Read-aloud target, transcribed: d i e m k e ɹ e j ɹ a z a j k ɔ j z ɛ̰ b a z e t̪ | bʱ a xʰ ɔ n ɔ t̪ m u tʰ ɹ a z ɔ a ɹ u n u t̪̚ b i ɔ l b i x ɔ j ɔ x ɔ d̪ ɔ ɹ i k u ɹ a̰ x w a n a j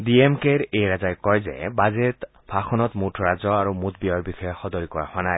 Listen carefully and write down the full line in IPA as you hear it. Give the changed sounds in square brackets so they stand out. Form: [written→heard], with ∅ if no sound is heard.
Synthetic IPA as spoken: d i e m k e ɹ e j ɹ a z a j k ɔ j z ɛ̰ b a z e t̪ | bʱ a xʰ ɔ n ɔ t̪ m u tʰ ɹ a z ɔ a ɹ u [n→m] u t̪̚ b i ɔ [l→ɹ] b i x ɔ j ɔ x ɔ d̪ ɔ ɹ i k [u→ɔ] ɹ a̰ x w a n a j